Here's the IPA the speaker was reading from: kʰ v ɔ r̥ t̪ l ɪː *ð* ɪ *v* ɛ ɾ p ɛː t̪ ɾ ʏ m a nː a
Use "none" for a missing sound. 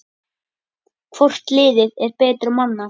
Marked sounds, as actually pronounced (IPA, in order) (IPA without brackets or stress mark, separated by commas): ð, ð